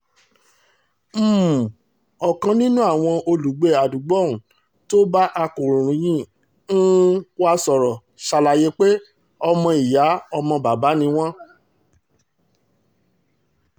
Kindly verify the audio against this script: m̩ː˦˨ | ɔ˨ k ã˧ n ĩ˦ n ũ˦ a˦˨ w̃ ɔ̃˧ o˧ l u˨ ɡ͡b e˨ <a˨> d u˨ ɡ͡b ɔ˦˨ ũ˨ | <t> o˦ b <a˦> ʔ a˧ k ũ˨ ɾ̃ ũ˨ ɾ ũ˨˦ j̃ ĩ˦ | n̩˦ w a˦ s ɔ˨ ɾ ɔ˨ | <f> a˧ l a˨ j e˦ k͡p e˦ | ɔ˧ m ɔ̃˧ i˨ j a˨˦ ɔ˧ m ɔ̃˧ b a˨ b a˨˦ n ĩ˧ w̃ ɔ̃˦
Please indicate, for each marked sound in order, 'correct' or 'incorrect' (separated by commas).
correct, correct, correct, incorrect